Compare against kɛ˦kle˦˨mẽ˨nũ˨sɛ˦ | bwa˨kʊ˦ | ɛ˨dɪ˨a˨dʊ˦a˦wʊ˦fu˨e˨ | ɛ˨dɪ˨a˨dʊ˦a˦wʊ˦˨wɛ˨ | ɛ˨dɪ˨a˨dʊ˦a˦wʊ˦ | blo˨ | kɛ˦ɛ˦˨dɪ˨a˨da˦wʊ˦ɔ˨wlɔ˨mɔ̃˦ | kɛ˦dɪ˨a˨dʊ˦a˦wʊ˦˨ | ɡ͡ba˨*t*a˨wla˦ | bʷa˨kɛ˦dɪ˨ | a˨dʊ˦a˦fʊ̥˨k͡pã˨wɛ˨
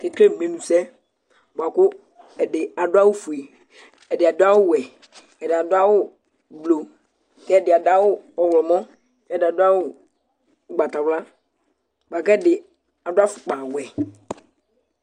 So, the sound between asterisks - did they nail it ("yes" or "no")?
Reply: yes